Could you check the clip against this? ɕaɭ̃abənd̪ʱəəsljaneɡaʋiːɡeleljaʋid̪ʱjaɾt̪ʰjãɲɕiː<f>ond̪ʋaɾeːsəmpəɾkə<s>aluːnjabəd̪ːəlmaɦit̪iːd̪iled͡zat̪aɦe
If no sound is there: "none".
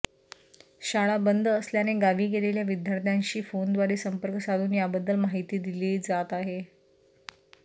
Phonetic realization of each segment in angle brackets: f, s

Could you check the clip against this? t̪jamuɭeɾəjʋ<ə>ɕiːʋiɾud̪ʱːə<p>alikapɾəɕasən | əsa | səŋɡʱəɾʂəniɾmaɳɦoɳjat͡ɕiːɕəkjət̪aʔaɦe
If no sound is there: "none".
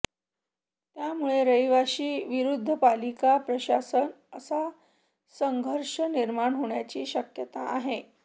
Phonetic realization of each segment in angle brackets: a, p

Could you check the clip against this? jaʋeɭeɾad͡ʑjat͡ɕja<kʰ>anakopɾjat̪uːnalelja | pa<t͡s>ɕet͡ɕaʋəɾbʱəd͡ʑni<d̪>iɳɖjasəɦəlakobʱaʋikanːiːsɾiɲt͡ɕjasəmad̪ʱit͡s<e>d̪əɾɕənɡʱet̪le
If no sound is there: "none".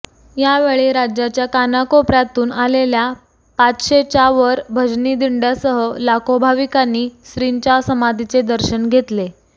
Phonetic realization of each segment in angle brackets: k, t͡s, d̪, e

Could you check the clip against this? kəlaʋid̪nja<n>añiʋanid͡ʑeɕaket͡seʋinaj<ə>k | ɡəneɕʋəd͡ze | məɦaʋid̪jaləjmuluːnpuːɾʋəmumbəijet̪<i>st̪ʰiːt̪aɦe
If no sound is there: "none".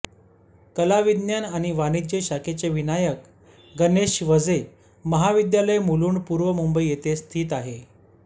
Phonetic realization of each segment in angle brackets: n, ə, e

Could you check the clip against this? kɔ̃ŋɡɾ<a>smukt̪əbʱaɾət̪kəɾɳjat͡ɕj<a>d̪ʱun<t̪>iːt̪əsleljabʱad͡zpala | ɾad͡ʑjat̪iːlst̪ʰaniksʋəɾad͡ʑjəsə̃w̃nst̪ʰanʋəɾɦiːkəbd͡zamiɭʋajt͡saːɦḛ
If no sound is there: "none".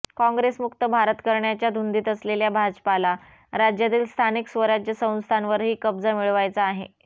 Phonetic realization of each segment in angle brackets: e, a, d̪

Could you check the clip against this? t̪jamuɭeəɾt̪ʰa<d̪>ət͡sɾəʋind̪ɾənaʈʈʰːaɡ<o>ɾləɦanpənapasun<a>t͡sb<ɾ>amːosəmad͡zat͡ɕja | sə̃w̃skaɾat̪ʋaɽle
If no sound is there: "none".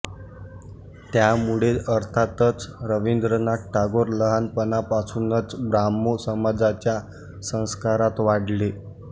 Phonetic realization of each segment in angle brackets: t̪, o, ə, ɾ

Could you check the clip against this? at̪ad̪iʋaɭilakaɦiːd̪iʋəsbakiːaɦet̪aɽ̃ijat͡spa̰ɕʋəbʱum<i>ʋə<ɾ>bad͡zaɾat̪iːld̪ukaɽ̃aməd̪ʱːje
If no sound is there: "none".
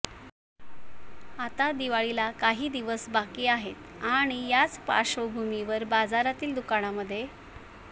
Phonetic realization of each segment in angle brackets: i, ɾ

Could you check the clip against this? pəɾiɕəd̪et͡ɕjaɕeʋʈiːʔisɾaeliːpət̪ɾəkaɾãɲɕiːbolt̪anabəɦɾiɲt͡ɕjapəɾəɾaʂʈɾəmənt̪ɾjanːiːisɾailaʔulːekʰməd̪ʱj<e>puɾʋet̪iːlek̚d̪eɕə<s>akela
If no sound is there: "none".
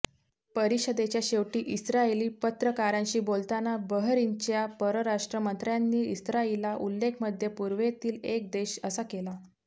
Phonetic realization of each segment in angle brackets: e, s

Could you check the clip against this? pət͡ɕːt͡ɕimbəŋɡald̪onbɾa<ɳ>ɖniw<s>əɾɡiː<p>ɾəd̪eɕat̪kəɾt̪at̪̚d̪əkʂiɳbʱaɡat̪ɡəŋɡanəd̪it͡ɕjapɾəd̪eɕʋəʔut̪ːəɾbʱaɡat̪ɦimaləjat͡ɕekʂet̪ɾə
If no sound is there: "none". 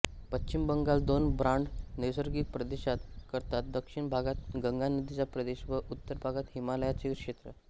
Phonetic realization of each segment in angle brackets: ɳ, s, p

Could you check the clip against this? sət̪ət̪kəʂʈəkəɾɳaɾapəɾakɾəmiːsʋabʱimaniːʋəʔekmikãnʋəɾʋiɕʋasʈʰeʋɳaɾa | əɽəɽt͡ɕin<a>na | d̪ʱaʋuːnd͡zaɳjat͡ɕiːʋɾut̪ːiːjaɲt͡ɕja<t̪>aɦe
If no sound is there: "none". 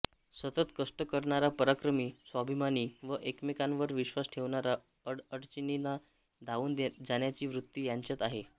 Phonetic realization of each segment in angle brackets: i, t̪

